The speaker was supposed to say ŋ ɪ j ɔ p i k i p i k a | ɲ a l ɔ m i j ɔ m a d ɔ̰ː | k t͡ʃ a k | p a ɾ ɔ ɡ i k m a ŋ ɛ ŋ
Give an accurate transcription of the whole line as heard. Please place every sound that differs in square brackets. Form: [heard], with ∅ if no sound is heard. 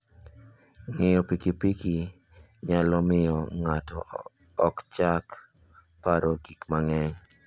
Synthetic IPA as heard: ŋ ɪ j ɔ p i k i p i k [i] | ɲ a l ɔ m [ɪ] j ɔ [ŋ] a [t] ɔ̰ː | k t͡ʃ a k | p a ɾ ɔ ɡ i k m a ŋ ɛ [ɲ]